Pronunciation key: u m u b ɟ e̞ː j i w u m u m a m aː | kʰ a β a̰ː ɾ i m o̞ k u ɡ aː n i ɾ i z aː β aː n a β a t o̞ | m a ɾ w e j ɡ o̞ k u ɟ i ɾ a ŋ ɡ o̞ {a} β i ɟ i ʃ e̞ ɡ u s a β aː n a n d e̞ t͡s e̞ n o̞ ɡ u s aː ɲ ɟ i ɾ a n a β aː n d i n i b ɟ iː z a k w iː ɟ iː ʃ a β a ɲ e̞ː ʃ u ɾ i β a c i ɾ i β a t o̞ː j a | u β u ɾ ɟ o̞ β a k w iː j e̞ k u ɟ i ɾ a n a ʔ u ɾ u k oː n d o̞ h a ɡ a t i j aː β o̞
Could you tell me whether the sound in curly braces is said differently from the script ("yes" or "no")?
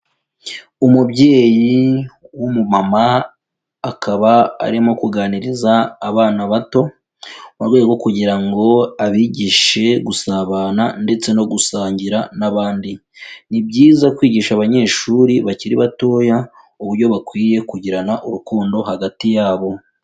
no